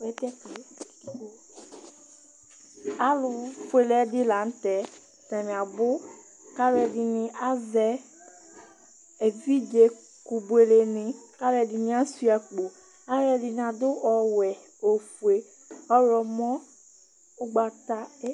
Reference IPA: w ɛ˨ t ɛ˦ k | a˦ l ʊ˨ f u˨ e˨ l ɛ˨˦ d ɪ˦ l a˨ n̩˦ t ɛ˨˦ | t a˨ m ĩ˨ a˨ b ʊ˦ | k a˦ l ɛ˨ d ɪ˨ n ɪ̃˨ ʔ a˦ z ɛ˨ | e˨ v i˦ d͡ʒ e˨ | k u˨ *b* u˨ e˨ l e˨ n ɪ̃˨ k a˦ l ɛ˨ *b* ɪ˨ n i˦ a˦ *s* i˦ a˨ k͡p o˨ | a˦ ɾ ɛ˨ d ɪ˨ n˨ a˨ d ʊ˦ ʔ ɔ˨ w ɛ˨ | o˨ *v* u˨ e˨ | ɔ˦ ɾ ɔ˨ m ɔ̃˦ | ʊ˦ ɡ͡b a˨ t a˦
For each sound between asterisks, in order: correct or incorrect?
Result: correct, incorrect, correct, incorrect

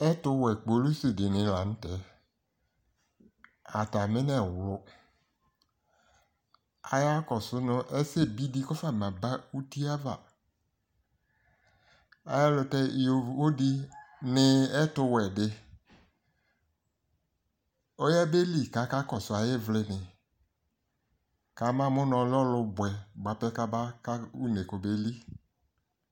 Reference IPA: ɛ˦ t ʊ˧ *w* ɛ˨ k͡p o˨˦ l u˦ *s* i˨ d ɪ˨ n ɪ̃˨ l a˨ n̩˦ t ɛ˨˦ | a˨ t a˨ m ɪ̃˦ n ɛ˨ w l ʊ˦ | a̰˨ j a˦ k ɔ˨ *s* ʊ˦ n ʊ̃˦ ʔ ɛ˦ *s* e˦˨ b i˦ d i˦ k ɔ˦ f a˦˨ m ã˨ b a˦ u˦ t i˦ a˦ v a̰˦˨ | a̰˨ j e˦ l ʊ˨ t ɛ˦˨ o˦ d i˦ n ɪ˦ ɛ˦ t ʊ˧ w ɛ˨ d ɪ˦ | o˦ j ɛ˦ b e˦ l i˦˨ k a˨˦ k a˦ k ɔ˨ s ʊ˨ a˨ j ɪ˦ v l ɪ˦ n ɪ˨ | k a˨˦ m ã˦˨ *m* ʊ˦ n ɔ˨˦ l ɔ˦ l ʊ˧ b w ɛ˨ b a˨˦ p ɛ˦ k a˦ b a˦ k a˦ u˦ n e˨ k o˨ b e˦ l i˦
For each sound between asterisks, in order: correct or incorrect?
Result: correct, correct, correct, correct, correct

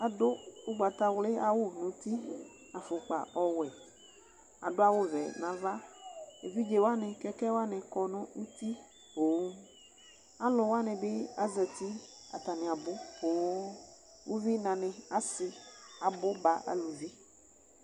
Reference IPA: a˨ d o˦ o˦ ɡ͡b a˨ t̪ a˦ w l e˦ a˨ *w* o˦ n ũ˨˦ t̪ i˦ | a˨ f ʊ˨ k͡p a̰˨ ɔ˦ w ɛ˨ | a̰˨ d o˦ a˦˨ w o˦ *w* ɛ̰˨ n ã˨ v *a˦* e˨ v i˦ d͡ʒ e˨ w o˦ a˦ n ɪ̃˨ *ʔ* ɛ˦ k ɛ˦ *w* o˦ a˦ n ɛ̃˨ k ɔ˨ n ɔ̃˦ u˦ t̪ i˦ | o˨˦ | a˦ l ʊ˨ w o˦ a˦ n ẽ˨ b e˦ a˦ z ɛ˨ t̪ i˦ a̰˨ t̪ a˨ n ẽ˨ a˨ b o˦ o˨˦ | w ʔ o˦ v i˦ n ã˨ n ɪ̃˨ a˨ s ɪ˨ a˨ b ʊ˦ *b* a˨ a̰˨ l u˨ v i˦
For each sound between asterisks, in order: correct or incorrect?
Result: correct, incorrect, correct, incorrect, correct, correct

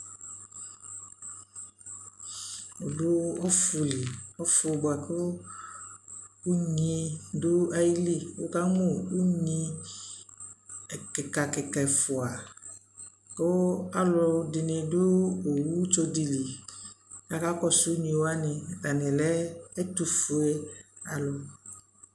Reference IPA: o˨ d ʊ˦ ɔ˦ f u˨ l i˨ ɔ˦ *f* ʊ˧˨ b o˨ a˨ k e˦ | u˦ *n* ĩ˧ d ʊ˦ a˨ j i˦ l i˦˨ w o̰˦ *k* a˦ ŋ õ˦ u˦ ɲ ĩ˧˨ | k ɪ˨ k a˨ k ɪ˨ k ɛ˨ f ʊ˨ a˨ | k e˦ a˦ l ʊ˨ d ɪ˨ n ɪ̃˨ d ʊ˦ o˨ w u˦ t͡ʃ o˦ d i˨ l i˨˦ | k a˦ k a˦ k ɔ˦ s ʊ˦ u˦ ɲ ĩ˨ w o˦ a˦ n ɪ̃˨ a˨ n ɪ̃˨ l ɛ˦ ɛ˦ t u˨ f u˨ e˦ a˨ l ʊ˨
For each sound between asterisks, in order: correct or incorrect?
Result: correct, incorrect, correct

